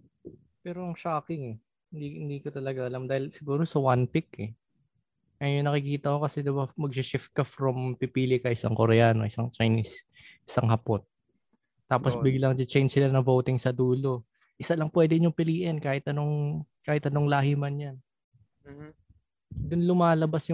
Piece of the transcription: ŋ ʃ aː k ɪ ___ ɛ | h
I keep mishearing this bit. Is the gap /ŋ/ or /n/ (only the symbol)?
ŋ